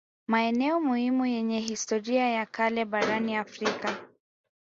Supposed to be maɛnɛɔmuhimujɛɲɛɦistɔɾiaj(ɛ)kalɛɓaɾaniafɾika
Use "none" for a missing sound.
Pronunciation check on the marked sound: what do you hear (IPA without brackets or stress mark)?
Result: a